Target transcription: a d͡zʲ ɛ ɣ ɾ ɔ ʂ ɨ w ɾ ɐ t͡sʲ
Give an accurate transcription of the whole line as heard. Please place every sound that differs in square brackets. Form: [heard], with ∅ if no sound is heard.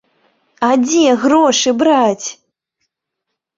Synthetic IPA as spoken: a d͡zʲ ɛ ɣ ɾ ɔ ʂ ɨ [b] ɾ [a] t͡sʲ